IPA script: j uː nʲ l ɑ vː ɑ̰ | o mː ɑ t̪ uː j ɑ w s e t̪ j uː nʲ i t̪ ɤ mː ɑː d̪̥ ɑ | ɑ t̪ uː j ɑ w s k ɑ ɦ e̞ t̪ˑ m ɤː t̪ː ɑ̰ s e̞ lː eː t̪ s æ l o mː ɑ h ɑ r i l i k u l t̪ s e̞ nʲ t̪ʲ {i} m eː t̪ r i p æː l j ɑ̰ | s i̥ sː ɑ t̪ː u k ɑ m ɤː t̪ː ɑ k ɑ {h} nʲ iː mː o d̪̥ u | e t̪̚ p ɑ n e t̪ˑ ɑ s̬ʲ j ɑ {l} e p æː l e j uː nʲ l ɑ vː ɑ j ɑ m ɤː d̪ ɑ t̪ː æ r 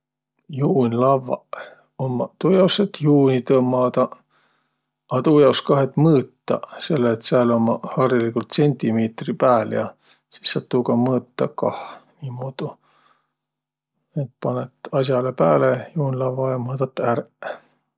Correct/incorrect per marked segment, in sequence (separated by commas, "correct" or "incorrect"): correct, correct, correct